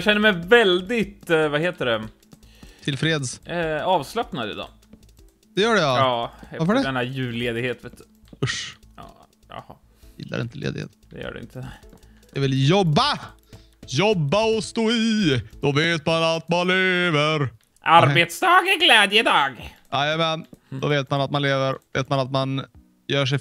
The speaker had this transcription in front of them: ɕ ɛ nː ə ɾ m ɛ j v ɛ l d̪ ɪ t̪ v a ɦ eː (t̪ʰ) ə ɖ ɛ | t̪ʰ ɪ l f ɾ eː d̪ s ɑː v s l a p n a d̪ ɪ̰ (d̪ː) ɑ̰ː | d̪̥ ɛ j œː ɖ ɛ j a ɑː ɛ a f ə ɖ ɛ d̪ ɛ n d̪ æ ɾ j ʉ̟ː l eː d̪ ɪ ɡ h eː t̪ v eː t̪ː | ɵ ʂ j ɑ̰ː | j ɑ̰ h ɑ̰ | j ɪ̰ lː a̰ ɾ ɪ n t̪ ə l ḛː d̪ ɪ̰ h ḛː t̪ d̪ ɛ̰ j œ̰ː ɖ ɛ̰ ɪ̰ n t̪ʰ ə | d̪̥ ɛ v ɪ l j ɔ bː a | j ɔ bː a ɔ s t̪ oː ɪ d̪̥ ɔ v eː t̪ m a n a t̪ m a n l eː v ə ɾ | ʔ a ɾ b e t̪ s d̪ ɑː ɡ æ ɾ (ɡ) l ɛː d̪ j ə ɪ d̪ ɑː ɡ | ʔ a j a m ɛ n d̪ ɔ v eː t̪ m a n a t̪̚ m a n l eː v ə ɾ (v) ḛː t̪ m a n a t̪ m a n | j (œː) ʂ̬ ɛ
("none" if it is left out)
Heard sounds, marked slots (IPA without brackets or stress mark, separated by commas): t̪, d̪, ɡ, v, œː